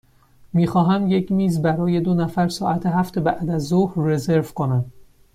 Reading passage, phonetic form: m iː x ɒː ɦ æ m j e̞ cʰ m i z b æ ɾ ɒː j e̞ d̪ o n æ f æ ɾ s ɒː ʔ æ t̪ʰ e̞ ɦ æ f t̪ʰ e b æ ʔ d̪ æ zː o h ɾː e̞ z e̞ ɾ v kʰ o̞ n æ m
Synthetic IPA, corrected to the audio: m iː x ɒː ɦ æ m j e̞ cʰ m iː z b æ ɾ ɒː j e̞ d̪ o n æ f æ ɾ s ɒː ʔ æ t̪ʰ e̞ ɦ æ f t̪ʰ e b æ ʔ d̪ æ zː o h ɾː e̞ z e̞ ɾ v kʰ o̞ n æ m

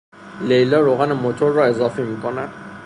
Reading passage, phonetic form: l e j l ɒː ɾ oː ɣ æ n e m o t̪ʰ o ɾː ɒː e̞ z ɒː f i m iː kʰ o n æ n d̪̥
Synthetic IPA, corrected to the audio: l e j l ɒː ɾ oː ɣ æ n e m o t̪ʰ o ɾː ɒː e̞ z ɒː f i m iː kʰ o n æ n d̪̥

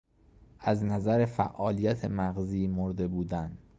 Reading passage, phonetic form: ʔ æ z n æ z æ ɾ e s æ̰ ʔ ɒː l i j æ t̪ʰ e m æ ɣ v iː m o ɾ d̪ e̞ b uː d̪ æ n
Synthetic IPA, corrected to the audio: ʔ æ z n æ z æ ɾ e f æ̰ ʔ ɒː l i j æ t̪ʰ e m æ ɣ z iː m o ɾ d̪ e̞ b uː d̪ æ n

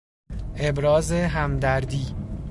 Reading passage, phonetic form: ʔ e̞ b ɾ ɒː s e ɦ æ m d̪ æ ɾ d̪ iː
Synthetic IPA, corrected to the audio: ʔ e̞ b ɾ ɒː z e ɦ æ m d̪ æ ɾ d̪ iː

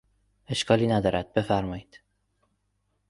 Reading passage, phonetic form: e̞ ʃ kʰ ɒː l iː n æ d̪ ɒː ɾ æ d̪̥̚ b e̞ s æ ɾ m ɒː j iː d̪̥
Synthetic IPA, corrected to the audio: e̞ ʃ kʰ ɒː l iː n æ d̪ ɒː ɾ æ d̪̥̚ b e̞ f æ ɾ m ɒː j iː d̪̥

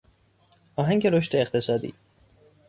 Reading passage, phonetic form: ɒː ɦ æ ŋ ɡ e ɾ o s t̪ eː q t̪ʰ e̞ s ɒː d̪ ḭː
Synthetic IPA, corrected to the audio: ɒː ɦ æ ŋ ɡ e ɾ o ʃ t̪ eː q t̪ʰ e̞ s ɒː d̪ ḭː

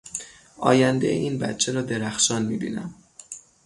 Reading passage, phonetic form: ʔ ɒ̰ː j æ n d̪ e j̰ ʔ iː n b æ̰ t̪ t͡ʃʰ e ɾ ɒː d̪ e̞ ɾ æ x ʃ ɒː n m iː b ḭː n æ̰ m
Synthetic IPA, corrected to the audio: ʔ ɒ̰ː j æ n d̪ e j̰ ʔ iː n b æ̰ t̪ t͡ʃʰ e ɾ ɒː d̪ e̞ ɾ æ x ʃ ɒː n m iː b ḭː n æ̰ m

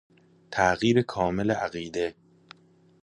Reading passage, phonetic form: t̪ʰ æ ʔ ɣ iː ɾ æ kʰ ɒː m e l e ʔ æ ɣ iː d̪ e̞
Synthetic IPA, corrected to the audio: t̪ʰ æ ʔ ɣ iː ɾ e kʰ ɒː m e l e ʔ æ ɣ iː d̪ e̞

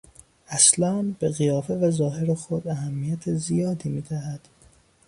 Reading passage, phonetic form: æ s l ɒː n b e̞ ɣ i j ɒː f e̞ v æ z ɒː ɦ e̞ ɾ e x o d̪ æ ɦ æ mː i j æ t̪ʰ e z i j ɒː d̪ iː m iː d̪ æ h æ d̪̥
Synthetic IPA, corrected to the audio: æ s l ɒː n b e̞ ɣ i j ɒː f e̞ v æ z ɒː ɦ e̞ ɾ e x o d̪ æ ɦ æ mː i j æ t̪ʰ e z i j ɒː d̪ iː m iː d̪ æ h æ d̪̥

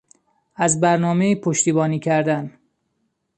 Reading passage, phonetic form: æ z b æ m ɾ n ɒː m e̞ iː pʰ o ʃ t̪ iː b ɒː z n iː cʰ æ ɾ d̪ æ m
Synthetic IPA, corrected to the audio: æ z b æ ɾ n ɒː m e̞ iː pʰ o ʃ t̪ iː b ɒː n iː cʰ æ ɾ d̪ æ n

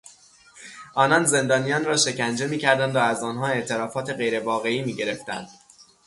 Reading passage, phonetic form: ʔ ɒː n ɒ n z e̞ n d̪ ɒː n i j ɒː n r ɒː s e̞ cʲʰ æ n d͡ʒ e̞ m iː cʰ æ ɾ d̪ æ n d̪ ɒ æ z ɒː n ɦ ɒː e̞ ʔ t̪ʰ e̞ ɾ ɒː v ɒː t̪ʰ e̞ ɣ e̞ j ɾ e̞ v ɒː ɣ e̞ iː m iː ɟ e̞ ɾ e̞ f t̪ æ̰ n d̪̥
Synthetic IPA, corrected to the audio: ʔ ɒː n ɒ n z e̞ n d̪ ɒː n i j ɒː n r ɒː ʃ e̞ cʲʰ æ n d͡ʒ e̞ m iː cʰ æ ɾ d̪ æ n d̪ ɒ æ z ɒː n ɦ ɒː e̞ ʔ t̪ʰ e̞ ɾ ɒː f ɒː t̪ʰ e̞ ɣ e̞ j ɾ e̞ v ɒː ɣ e̞ iː m iː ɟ e̞ ɾ e̞ f t̪ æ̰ n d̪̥

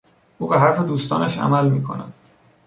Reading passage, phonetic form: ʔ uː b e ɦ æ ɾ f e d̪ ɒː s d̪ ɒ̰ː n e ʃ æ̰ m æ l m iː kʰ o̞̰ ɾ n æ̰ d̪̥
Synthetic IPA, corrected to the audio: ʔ uː b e ɦ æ ɾ f e d̪ uː s t̪ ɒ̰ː n æ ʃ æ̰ m æ l m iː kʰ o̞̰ n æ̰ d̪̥

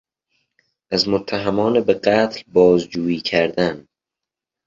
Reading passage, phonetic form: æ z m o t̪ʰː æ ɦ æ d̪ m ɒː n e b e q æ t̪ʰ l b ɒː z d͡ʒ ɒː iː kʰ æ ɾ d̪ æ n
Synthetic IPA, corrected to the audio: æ z m o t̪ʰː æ ɦ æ m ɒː n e b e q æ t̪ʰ l b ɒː z d͡ʒ uː iː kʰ æ ɾ d̪ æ n

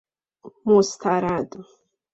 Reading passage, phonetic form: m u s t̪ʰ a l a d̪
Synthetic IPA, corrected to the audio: m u s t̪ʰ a ɾ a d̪

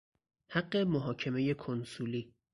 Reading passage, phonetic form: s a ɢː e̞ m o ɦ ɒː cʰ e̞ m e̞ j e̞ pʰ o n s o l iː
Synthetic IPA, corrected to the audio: h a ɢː e̞ m o ɦ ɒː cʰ e̞ m e̞ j e̞ kʰ o n s u l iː

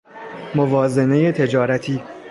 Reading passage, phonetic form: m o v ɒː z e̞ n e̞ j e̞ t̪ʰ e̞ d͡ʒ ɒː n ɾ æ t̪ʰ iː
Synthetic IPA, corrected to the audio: m o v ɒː z e̞ n e̞ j e̞ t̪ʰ e̞ d͡ʒ ɒː ɾ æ t̪ʰ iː

